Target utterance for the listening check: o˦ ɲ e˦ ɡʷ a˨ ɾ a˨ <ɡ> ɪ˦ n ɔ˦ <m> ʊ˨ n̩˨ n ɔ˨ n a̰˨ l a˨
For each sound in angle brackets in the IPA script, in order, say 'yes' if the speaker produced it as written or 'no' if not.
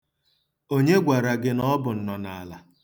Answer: yes, no

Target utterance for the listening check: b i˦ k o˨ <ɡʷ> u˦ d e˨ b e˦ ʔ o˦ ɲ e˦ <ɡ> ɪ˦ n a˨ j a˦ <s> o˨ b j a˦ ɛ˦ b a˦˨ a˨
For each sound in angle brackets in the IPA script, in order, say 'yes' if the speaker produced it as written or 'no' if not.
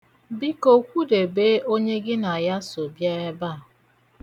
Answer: no, yes, yes

